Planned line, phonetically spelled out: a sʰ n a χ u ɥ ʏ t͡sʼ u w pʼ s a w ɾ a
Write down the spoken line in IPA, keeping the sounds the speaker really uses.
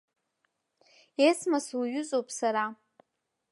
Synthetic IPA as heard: e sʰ m a s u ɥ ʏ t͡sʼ o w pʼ s a ɾ a

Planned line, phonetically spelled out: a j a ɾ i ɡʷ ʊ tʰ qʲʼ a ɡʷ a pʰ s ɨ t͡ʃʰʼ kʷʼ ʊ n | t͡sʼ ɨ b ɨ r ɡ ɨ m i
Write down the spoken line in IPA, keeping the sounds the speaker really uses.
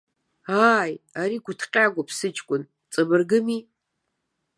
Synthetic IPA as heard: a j a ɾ i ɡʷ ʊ tʰ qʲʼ a ɡʷ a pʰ s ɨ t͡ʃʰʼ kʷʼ ʊ n | t͡sʼ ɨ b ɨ r ɡ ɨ m i

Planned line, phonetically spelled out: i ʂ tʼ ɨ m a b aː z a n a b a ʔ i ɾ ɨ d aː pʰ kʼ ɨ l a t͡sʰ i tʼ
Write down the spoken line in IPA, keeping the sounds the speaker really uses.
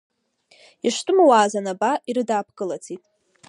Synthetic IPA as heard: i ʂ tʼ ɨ m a w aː z a n a b a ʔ i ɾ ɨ d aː pʰ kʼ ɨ l a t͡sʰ i tʼ

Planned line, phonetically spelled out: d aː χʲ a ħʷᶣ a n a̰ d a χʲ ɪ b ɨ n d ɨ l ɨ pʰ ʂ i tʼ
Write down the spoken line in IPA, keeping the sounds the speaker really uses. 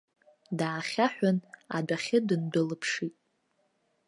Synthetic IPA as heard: d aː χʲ a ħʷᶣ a n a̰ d a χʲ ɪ d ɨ n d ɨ l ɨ pʰ ʂ i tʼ

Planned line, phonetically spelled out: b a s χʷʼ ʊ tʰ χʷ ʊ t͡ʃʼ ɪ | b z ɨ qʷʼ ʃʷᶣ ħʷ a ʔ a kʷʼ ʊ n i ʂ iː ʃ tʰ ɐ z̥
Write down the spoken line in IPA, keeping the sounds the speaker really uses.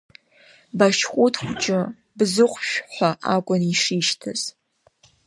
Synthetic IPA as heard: b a ʃ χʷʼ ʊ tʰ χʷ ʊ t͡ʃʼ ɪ | b z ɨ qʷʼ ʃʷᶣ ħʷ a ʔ a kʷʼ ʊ n i ʂ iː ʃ tʰ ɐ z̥

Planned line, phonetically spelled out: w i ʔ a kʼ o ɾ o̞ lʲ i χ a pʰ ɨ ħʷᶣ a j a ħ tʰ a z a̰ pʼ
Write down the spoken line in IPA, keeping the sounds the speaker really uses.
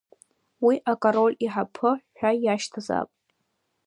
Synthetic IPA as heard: w i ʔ a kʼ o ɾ o̞ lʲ i ħ a pʰ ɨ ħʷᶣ a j a ʃ tʰ a z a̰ pʼ

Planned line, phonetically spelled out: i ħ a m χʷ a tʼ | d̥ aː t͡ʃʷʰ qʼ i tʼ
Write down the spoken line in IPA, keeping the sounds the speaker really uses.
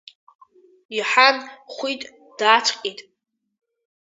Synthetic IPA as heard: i ħ a n χʷ i tʼ | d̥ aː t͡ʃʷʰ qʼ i tʼ

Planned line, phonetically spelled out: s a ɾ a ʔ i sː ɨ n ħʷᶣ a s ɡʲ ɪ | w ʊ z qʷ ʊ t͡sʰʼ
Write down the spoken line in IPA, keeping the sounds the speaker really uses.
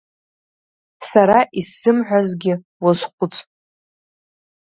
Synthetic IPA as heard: s a ɾ a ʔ i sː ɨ m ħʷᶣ a z ɡʲ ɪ | w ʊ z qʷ ʊ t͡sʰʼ

